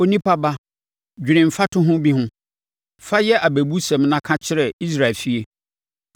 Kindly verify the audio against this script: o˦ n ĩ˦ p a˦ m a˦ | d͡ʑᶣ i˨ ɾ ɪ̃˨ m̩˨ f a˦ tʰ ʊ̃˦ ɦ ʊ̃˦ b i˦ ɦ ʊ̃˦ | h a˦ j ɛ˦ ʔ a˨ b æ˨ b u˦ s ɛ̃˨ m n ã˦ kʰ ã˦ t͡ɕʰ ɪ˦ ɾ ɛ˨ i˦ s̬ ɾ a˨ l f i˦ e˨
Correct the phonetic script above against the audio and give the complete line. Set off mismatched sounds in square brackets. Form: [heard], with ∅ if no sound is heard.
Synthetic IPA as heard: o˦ n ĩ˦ p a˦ [b] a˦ | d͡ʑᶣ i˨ ɾ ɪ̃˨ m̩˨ f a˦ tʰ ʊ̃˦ ɦ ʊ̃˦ b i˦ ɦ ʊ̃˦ | [f] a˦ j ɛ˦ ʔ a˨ b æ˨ b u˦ s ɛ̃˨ m n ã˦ kʰ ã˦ t͡ɕʰ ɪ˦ ɾ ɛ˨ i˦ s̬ ɾ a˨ l f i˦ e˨